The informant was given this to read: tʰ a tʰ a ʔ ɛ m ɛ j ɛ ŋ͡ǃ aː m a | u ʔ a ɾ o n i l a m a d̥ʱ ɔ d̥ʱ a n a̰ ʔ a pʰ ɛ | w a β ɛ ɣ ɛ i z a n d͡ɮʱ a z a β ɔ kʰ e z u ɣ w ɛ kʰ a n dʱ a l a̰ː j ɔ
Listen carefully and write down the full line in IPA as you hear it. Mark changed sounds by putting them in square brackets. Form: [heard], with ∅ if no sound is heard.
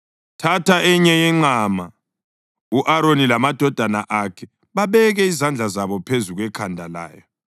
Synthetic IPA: tʰ a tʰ a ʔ ɛ [ɲ] ɛ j ɛ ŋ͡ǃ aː m a | u ʔ a ɾ o n i l a m a d̥ʱ ɔ d̥ʱ a n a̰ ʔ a [kʰ] ɛ | [β] a β ɛ ɣ ɛ i z a n d͡ɮʱ a z a β ɔ [pʰ] e z u ɣ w ɛ kʰ a n dʱ a l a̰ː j ɔ